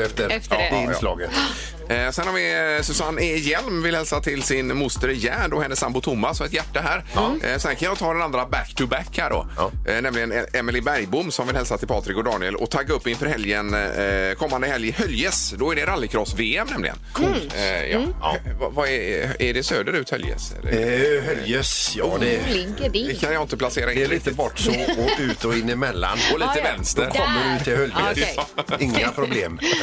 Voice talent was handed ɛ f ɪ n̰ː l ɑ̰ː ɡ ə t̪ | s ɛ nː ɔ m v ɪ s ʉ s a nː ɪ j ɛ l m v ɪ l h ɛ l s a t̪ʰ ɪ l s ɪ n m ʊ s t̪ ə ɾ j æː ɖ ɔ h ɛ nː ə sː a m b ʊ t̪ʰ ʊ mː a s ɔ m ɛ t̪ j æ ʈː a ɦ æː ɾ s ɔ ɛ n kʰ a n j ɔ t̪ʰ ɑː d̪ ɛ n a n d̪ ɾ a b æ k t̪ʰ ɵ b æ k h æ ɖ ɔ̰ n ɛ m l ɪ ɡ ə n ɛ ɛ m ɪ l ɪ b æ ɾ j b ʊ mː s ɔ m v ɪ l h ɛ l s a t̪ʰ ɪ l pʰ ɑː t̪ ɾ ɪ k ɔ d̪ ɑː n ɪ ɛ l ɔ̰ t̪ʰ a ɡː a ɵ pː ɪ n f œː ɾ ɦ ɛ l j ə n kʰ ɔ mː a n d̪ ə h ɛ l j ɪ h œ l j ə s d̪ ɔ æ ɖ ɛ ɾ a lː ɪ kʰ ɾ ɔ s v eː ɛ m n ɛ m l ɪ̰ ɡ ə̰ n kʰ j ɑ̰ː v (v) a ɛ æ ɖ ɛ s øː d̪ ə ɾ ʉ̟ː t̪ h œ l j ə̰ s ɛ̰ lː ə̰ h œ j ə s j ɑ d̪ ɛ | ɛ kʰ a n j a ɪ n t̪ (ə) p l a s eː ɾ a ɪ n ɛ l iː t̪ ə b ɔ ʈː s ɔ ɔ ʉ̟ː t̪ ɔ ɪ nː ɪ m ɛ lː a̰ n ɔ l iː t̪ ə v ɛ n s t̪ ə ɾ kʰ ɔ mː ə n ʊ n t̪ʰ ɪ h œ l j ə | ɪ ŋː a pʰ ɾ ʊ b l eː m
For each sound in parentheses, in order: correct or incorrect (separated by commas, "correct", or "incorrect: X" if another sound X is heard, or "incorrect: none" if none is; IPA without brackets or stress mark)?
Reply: correct, correct